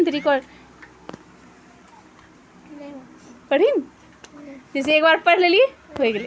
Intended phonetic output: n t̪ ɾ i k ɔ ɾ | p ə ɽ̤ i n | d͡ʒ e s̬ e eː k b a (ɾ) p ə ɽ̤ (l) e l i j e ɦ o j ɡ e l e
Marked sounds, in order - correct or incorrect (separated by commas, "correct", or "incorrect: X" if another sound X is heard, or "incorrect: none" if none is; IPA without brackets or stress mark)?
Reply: correct, correct